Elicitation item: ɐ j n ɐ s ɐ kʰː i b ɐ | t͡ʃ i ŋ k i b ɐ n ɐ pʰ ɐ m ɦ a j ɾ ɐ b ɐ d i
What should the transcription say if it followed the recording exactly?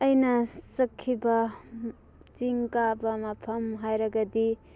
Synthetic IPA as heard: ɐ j n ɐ s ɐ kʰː i b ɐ | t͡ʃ i ŋ k a b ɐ m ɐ pʰ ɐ m ɦ a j ɾ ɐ ɡ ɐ d i

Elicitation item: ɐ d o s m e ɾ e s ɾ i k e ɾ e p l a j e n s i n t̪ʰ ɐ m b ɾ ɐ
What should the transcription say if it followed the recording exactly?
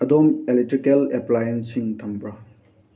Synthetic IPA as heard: ɐ d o m e l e t ɾ i k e l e p l a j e n s i ŋ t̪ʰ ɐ m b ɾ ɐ

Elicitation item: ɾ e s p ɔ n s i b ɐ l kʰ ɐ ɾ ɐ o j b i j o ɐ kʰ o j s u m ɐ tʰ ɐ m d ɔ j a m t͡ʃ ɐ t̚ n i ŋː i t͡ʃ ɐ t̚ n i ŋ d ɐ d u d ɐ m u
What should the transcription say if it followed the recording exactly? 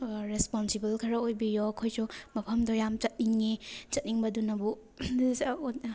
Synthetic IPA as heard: ɾ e s p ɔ n s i b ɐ l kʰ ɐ ɾ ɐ o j b i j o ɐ kʰ o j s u m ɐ pʰ ɐ m d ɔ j a m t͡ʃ ɐ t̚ n i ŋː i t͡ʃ ɐ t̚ n i ŋ b ɐ d u n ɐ b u

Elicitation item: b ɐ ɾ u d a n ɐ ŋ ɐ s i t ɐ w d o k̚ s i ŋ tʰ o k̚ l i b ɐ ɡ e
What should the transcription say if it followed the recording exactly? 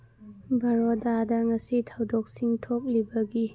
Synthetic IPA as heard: b ɐ ɾ o d a d ɐ ŋ ɐ s i tʰ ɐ w d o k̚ s i ŋ tʰ o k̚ l i b ɐ ɡ i

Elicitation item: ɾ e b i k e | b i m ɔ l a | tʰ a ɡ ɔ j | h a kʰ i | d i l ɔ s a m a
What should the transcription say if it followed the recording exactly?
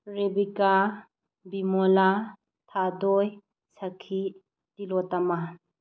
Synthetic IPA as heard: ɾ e b i k a | b i m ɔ l a | tʰ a d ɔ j | s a kʰ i | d i l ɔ t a m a

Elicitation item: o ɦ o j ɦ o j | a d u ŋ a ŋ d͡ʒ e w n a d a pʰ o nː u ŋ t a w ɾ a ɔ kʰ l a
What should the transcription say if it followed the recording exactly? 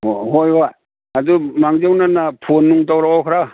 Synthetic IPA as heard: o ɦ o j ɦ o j | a d u m a ŋ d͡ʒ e w n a n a pʰ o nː u ŋ t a w ɾ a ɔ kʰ ɾ a

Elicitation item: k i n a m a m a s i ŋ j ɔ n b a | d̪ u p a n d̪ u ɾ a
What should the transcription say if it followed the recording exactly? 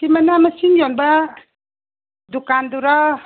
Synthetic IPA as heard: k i m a n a m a s i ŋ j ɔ n b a | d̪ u k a n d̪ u ɾ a

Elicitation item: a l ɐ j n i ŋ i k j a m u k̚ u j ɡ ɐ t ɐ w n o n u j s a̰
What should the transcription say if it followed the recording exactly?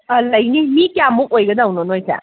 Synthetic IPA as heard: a l ɐ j n i m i k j a m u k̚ o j ɡ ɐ d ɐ w n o n o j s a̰

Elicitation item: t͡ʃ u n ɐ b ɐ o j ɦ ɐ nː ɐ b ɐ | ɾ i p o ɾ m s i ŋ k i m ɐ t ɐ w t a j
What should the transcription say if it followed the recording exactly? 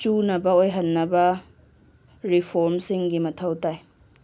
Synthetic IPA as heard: t͡ʃ u n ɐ b ɐ o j ɦ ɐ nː ɐ b ɐ | ɾ i pʰ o ɾ m s i ŋ ɡ i m ɐ tʰ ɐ w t a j

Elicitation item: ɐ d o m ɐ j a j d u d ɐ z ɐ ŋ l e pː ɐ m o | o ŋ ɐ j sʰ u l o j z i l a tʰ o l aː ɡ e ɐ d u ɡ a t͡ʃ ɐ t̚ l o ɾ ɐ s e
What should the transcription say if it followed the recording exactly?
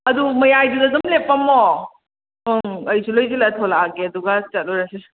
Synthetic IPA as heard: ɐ d u m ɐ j a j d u d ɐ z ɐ m l e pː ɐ m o | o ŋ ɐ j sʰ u l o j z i l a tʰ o l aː ɡ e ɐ d u ɡ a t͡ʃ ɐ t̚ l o ɾ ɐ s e

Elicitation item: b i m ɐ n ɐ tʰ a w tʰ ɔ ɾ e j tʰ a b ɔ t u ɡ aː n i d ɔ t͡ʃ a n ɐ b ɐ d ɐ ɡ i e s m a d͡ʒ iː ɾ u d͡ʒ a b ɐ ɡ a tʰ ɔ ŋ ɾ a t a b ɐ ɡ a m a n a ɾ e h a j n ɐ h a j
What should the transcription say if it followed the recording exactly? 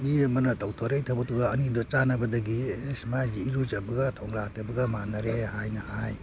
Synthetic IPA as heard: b i m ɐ n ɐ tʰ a w tʰ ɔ ɾ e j tʰ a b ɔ t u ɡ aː n i d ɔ t͡ʃ a n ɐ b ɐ d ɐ ɡ i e s m a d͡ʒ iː ɾ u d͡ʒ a b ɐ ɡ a tʰ ɔ ŋ ɾ a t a b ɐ ɡ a m a n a ɾ e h a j n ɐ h a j

